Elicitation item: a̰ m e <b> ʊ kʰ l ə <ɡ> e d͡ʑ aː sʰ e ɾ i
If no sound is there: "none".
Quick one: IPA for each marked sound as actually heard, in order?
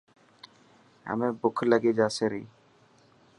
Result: b, ɡ

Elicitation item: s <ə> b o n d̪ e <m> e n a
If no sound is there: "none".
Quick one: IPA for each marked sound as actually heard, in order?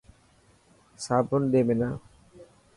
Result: a, m

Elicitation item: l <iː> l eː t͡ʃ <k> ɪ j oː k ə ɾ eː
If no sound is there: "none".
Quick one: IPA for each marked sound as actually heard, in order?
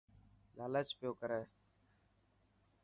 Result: aː, p

